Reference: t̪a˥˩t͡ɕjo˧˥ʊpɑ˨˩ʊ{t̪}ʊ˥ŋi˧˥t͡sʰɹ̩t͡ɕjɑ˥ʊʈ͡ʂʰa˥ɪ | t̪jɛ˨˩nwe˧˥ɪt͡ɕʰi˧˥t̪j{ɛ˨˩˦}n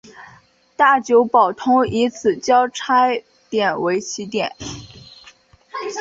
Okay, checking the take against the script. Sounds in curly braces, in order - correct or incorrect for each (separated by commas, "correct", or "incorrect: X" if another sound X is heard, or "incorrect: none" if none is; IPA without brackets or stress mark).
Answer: incorrect: t̪ʰ, correct